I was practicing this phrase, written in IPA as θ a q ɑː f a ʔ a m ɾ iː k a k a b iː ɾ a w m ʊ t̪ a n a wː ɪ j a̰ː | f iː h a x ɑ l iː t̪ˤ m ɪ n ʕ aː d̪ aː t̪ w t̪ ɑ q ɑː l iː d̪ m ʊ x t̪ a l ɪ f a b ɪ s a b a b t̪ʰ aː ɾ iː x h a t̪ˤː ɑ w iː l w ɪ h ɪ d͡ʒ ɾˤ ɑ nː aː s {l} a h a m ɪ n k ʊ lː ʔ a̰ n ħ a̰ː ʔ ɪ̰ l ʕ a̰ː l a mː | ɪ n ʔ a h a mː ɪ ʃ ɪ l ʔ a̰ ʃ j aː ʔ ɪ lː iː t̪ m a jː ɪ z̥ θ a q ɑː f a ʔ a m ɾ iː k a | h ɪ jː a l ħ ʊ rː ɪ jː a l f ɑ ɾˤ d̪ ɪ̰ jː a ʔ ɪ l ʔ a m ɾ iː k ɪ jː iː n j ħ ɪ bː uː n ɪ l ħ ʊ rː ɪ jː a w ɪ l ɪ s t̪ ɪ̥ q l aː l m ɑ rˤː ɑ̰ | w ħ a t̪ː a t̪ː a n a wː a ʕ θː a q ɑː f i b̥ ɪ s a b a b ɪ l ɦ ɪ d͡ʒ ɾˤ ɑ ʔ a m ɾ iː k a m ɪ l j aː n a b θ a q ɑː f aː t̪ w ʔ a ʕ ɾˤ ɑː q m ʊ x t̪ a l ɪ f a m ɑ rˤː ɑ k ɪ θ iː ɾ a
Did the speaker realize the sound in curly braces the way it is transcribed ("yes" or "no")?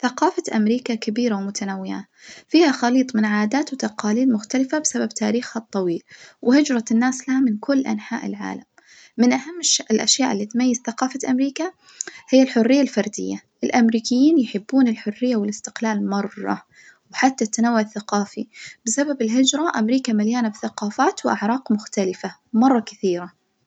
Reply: yes